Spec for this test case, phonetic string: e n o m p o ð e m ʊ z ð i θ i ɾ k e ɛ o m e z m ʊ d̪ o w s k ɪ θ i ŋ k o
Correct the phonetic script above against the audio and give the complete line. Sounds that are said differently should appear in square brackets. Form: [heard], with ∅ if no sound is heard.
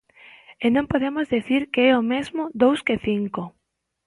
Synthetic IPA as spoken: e n [õ] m p o ð e m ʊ z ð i θ i ɾ k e ɛ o m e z m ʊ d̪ o w s k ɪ θ i ŋ k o